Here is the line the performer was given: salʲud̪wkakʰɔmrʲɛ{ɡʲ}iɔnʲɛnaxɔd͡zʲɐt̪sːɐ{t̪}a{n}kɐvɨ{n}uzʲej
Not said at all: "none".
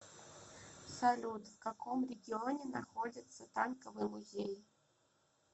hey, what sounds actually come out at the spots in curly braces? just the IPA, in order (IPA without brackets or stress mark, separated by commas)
ɡʲ, t̪, n, m